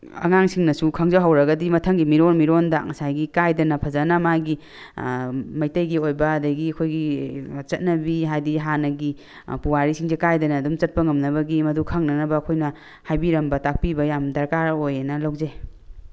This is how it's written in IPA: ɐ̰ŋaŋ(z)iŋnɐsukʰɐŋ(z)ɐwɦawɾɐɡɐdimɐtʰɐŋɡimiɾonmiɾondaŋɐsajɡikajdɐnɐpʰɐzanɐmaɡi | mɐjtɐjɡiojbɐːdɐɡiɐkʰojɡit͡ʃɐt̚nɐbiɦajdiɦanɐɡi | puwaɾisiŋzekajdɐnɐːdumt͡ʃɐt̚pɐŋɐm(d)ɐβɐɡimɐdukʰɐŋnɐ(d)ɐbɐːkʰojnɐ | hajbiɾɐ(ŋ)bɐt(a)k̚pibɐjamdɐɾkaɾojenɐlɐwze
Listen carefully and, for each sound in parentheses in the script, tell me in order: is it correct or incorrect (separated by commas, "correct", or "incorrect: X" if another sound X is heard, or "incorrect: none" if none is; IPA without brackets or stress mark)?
incorrect: s, correct, incorrect: n, incorrect: n, incorrect: m, correct